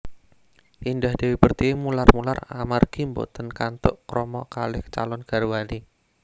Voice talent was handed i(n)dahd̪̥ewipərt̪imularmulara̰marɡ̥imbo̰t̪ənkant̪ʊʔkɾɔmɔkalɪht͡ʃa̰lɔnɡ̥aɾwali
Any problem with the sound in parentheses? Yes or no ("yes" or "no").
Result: no